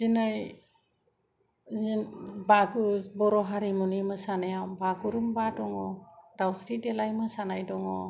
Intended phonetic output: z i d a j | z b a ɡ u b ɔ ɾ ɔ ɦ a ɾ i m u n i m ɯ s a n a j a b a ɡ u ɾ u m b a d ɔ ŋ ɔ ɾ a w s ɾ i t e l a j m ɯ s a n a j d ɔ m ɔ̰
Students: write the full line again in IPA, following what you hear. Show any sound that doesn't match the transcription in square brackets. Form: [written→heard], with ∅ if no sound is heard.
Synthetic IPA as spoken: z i [d→n] a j | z b a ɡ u b ɔ ɾ ɔ ɦ a ɾ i m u n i m ɯ s a n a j a b a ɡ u ɾ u m b a d ɔ ŋ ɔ ɾ a w s ɾ i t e l a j m ɯ s a n a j d ɔ [m→ŋ] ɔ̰